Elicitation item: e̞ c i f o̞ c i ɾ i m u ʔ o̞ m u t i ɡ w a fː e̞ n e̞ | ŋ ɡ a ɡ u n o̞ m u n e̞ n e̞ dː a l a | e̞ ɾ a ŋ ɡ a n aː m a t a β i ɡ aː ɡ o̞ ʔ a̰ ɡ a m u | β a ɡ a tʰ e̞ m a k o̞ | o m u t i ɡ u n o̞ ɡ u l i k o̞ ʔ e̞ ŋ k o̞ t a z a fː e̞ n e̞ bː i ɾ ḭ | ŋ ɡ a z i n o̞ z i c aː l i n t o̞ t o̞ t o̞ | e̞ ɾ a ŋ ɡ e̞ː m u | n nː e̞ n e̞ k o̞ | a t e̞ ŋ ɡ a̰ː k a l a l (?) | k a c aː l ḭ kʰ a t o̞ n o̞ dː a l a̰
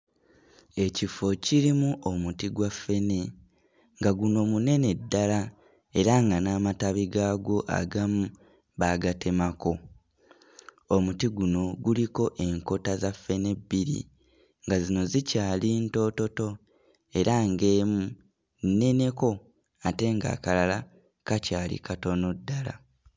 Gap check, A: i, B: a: B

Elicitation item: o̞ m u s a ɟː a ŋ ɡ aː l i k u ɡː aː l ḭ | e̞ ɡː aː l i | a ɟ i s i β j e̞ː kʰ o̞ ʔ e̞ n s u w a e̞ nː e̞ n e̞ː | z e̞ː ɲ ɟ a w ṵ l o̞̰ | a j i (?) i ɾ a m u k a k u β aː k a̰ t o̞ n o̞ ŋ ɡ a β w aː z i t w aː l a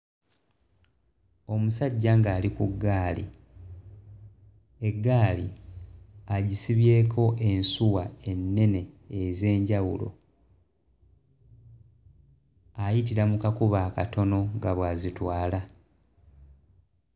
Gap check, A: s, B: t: B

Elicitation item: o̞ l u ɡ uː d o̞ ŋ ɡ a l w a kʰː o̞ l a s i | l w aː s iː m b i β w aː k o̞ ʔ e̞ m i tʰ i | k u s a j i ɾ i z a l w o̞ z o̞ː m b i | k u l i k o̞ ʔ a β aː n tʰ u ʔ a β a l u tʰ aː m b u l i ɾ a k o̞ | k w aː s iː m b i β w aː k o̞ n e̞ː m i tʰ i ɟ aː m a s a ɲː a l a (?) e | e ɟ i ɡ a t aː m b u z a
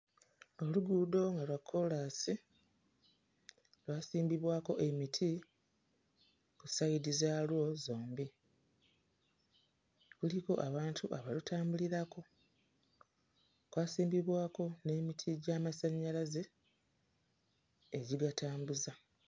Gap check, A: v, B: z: B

